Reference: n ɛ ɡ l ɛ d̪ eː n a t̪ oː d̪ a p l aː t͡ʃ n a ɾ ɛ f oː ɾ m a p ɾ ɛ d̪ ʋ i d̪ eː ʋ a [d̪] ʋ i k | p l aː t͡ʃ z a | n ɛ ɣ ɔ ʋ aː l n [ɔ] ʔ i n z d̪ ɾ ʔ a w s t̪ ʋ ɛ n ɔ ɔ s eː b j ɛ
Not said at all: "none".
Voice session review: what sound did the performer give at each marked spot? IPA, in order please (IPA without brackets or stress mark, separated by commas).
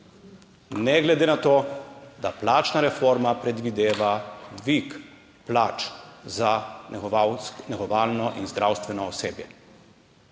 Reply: d̪, ɔ